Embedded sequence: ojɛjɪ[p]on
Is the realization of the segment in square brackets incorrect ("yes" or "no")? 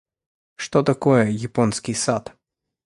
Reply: no